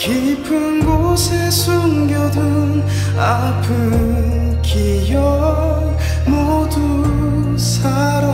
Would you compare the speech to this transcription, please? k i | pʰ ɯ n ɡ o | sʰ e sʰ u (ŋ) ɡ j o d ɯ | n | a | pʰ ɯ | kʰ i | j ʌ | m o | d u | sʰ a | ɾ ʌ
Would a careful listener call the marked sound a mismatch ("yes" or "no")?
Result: no